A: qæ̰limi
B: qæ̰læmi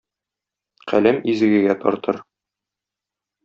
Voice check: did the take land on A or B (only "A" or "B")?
B